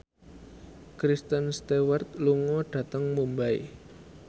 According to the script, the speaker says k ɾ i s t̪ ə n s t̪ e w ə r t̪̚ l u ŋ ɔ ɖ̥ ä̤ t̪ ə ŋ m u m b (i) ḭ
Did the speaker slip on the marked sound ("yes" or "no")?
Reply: yes